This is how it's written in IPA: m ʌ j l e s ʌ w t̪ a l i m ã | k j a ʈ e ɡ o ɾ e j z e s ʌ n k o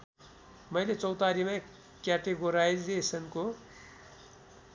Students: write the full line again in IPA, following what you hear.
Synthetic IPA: m ʌ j l e t͡s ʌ w t̪ a ɾ i m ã | k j a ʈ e ɡ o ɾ a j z e s ʌ n k o